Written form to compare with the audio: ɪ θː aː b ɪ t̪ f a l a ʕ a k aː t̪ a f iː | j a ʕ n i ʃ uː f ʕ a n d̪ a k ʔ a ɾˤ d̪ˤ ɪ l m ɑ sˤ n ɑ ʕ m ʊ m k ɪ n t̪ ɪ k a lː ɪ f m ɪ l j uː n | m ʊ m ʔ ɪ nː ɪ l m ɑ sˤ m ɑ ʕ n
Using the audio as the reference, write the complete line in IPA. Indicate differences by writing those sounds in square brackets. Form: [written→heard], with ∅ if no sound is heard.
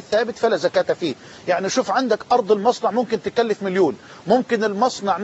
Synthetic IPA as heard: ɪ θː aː b ɪ t̪ f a l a [ʕ→z] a k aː t̪ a f iː | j a ʕ n i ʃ uː f ʕ a n d̪ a k ʔ [a→ɑ] ɾˤ d̪ˤ ɪ l m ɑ sˤ n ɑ ʕ m ʊ m k ɪ n t̪ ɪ k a lː ɪ f m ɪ l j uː n | m ʊ m [ʔ→k] ɪ [nː→n] ɪ l m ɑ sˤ [m→n] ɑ ʕ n